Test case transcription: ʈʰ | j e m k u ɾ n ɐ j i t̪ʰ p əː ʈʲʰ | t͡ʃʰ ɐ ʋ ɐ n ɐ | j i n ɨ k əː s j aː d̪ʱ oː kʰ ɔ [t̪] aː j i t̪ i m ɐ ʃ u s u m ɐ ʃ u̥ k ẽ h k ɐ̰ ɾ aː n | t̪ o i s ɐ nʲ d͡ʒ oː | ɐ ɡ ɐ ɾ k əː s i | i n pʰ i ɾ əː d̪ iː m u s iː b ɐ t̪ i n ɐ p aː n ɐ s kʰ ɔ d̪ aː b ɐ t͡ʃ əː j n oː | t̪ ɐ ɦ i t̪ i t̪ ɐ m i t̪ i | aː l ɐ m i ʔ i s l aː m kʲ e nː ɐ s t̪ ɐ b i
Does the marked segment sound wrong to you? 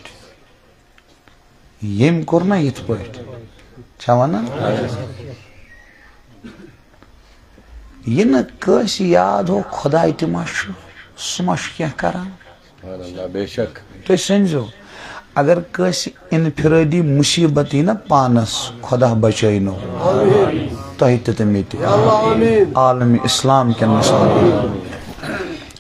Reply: yes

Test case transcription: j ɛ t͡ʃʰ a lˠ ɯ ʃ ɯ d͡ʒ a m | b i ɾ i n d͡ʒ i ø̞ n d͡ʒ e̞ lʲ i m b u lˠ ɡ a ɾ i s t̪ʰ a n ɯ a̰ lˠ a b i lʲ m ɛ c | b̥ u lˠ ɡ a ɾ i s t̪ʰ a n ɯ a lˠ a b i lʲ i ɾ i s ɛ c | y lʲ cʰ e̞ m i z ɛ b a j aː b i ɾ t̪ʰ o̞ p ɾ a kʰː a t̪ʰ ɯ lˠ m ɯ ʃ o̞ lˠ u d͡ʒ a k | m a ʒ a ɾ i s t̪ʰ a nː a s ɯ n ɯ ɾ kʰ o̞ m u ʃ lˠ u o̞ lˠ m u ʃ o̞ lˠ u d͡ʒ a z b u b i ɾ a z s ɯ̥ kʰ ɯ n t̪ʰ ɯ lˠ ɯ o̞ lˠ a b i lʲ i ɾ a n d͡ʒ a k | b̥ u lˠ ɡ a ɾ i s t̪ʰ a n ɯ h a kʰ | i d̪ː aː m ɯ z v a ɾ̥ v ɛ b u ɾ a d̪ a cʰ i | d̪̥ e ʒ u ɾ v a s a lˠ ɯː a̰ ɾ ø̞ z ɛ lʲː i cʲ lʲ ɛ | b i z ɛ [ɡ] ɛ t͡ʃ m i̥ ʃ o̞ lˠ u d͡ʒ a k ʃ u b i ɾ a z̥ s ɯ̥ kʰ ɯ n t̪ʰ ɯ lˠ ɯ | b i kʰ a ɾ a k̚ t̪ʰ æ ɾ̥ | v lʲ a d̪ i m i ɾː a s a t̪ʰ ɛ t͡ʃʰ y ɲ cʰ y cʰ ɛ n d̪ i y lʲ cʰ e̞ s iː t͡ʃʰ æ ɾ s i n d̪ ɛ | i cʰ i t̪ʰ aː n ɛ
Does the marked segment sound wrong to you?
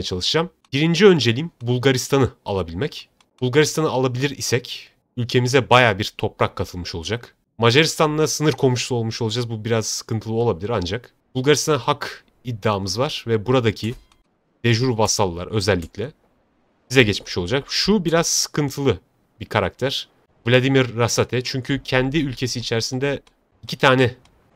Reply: yes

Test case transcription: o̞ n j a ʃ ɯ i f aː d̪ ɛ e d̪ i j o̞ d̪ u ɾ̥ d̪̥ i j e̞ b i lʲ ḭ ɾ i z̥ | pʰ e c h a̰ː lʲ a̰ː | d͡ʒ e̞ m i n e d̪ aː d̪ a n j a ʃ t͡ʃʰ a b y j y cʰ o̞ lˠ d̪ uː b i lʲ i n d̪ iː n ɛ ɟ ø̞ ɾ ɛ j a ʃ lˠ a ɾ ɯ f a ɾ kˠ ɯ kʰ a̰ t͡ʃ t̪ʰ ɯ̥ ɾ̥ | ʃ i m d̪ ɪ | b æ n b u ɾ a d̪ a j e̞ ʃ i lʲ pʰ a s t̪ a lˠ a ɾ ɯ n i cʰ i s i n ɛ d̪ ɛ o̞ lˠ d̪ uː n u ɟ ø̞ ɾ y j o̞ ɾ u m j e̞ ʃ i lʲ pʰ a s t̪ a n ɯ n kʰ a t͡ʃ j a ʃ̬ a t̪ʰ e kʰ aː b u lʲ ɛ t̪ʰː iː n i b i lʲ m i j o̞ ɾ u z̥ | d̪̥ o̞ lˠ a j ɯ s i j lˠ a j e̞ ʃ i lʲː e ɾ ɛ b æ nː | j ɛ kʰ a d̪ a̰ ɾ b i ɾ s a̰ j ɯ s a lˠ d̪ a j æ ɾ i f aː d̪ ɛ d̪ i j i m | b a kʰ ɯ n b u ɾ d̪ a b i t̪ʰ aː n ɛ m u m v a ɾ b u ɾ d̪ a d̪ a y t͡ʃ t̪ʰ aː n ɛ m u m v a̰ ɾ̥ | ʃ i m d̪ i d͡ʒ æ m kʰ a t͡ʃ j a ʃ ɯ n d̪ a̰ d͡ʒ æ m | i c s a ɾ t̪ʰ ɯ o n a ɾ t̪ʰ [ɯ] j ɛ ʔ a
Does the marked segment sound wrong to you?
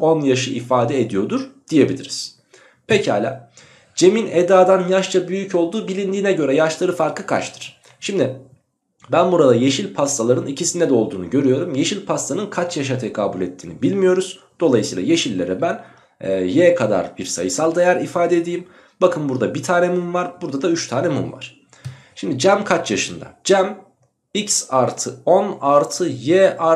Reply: no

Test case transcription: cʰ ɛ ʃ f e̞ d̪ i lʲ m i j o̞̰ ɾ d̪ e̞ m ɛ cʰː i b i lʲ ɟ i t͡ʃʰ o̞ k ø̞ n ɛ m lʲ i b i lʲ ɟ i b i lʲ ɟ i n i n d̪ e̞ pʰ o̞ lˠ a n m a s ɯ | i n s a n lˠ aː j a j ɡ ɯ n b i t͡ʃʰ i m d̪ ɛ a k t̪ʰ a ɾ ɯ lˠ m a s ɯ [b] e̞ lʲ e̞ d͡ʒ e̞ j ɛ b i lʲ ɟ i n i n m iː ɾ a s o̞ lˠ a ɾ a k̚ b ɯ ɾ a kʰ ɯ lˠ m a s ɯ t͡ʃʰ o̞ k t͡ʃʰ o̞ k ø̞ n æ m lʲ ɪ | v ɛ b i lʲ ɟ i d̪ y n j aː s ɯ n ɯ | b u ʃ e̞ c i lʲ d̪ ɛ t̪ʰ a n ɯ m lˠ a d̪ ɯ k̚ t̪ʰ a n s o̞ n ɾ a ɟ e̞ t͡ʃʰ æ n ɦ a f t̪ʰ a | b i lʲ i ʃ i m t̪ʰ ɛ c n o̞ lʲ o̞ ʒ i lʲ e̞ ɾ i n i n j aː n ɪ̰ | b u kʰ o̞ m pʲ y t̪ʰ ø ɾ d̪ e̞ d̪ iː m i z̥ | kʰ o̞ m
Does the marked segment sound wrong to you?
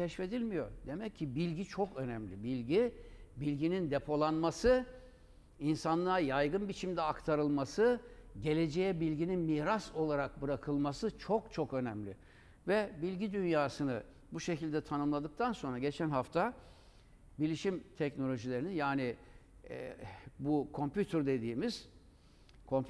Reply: yes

